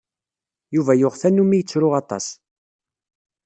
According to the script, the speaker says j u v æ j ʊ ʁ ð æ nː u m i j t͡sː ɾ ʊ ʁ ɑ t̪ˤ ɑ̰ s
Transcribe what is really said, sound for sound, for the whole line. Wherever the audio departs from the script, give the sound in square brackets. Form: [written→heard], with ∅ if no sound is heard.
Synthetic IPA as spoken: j u v æ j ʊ ʁ [ð→θ] æ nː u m i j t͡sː ɾ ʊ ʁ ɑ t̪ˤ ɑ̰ s